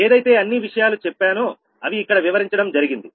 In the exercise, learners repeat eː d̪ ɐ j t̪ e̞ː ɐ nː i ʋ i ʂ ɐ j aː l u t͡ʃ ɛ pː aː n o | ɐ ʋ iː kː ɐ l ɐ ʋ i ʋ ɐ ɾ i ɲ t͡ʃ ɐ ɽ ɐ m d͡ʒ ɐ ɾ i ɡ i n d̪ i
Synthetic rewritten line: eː d̪ ɐ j t̪ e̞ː ɐ nː i ʋ i ʂ ɐ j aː l u t͡ʃ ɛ pː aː n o | ɐ ʋ iː kː ɐ ɽ ɐ ʋ i ʋ ɐ ɾ i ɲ t͡ʃ ɐ ɽ ɐ m d͡ʒ ɐ ɾ i ɡ i n d̪ i